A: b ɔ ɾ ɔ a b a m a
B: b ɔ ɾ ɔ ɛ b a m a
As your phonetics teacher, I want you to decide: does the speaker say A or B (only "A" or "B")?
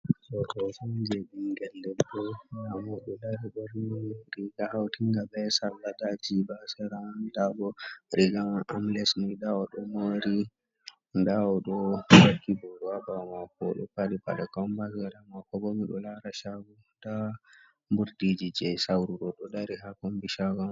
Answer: A